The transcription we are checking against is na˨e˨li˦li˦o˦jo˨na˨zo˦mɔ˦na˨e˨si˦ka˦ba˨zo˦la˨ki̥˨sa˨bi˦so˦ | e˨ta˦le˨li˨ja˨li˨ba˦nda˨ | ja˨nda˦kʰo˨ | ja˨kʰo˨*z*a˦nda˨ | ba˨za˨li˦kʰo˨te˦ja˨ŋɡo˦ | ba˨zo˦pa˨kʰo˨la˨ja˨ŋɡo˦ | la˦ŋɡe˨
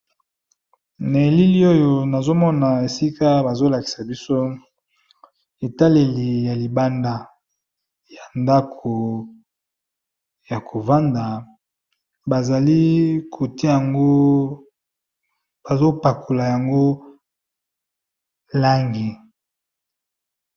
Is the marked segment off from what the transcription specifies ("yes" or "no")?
yes